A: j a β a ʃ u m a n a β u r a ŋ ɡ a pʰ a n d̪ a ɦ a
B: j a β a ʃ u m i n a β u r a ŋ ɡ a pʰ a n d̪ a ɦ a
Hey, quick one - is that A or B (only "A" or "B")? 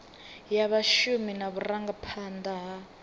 B